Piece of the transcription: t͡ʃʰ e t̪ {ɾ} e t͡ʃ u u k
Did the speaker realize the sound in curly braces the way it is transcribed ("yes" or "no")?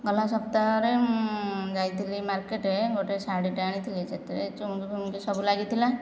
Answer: yes